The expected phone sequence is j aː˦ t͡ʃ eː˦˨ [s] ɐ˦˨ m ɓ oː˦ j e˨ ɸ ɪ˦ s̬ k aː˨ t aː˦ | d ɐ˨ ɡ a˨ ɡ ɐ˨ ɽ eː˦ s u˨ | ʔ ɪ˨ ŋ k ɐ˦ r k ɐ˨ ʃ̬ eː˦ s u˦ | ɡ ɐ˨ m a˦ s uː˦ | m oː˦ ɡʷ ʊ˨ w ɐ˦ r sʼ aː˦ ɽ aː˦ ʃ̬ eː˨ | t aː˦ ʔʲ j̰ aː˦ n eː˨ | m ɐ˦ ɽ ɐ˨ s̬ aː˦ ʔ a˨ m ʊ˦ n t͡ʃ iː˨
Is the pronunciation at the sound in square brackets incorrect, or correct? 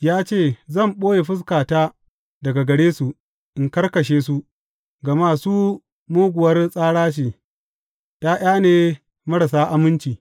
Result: incorrect: z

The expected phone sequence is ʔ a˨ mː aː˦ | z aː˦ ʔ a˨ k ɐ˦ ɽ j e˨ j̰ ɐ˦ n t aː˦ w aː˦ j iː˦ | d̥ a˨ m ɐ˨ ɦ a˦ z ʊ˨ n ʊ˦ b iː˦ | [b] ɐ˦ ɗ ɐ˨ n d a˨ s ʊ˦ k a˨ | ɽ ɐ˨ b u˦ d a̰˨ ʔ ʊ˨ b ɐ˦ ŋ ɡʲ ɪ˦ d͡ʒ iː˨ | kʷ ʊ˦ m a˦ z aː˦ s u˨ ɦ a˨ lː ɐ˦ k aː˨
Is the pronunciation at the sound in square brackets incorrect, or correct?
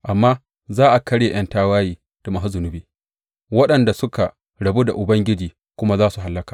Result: incorrect: w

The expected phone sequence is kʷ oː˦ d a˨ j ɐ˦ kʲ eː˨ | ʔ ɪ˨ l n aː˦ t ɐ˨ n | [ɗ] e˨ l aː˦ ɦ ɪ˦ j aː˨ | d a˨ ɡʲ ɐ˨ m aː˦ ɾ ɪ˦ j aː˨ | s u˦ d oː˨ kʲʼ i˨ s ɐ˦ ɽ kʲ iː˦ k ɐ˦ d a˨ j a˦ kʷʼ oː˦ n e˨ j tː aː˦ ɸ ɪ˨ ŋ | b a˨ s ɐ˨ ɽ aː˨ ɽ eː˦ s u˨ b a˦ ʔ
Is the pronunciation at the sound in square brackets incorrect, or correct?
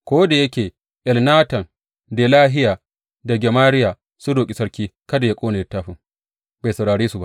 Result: incorrect: d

